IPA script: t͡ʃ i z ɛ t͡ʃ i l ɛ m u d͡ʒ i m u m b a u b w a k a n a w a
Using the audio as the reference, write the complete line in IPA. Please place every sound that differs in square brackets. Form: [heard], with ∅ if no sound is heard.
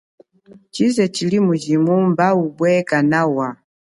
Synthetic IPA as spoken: t͡ʃ i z ɛ t͡ʃ i l [i] m u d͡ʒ i m u m b a u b w [ɛ] k a n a w a